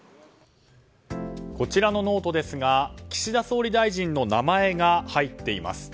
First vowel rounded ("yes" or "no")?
yes